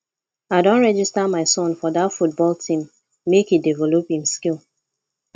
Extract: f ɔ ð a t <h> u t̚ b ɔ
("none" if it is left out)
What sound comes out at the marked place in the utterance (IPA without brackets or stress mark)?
f